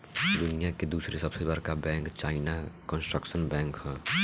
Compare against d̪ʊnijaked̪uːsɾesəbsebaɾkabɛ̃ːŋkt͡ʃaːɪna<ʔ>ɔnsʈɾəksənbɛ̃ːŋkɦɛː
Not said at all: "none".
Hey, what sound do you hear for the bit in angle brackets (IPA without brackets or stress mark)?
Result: k